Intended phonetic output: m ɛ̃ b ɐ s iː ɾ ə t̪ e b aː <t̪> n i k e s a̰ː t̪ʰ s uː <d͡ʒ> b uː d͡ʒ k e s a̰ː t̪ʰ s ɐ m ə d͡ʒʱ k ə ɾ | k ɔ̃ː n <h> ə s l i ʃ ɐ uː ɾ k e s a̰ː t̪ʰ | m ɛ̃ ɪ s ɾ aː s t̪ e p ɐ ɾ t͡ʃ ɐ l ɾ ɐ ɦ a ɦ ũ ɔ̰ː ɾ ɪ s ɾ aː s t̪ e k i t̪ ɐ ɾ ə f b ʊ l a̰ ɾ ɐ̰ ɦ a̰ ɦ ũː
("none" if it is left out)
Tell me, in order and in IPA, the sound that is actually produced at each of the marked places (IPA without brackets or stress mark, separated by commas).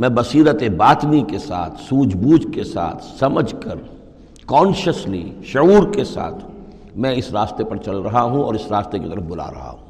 t̪, d͡ʒ, ʃ